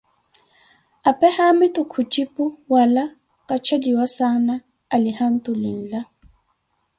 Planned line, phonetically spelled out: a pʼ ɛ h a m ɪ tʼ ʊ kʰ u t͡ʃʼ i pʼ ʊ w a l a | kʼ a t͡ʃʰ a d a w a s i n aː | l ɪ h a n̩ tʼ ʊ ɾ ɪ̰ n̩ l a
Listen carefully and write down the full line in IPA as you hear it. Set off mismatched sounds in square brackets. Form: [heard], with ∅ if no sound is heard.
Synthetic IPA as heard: a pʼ ɛ h a m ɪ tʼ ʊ kʰ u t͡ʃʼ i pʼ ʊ w a l a | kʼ a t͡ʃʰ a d [i] w a s [a] n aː | l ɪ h a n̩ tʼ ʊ [l] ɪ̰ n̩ l a

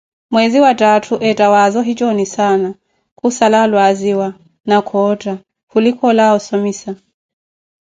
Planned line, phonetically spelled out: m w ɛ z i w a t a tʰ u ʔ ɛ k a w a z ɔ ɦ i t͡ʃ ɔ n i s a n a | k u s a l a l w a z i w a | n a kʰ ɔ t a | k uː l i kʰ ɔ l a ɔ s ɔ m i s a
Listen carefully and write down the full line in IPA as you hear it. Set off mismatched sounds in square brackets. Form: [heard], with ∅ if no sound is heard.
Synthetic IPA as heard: m w ɛ z i w a t a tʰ u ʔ ɛ [t] a w a z ɔ ɦ i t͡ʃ ɔ n i s a n a | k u s a l a l w a z i w a | n a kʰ ɔ t a | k [u] l i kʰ ɔ l a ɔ s ɔ m i s a

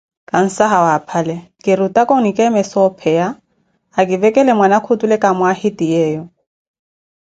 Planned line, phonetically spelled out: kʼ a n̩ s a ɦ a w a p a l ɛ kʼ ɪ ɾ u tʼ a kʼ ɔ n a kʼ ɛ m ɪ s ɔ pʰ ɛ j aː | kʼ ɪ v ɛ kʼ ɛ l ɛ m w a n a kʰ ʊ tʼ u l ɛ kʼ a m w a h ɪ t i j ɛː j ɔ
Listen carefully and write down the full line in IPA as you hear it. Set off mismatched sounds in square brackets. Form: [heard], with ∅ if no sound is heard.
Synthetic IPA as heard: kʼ a n̩ s a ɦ a w a [pʰ] a l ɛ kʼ ɪ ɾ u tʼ a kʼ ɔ n [i] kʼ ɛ m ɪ s ɔ pʰ ɛ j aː | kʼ ɪ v ɛ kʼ ɛ l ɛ m w a n a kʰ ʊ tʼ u l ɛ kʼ a m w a h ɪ t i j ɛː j ɔ

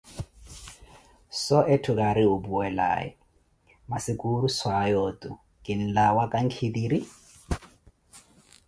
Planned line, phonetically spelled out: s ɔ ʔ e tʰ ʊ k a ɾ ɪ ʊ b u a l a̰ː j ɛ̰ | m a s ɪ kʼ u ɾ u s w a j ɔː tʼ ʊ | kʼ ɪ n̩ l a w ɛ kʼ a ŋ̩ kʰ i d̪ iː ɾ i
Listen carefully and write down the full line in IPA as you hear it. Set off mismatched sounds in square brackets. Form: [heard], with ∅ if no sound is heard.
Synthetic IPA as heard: s ɔ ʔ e tʰ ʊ k a ɾ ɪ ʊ b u [ɛ] l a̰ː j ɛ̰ | m a s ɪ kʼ u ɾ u s w a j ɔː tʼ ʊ | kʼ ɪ n̩ l a w [a] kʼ a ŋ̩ kʰ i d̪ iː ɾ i

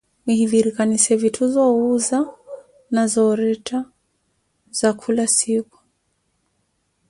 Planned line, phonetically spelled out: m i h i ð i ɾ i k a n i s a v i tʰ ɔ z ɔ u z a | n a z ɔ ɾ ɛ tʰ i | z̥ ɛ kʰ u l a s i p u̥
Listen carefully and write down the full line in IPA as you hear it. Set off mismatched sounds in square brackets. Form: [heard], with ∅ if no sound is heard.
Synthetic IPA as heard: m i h i ð i ɾ i k a n i s [ɛ] v i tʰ [u] z ɔ u z a | n a z ɔ ɾ ɛ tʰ [a] | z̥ [a] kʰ u l a s i [k] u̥

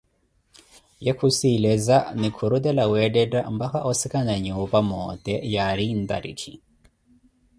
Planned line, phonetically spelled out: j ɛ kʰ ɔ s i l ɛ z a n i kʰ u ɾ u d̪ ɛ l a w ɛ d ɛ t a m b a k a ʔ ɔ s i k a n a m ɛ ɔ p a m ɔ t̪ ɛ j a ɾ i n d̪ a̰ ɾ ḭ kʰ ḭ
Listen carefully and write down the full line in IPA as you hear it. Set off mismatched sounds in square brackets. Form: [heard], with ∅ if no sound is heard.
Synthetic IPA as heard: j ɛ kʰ [u] s i l ɛ z a n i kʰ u ɾ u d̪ ɛ l a w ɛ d ɛ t a m b a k a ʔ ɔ s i k a n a [ɲ] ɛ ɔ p a m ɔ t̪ ɛ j a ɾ i n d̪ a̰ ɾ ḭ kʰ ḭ

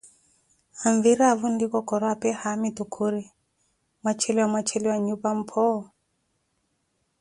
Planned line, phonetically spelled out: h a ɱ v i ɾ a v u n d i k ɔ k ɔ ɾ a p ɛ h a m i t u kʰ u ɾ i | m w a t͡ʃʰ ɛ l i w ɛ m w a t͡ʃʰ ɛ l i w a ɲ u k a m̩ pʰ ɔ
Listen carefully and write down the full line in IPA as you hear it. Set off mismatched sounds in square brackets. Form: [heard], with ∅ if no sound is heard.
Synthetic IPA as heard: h a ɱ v i ɾ a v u n d i k ɔ k ɔ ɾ a p ɛ h a m i t u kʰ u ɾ i | m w a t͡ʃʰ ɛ l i w [a] m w a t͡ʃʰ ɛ l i w a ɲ u [p] a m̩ pʰ ɔ

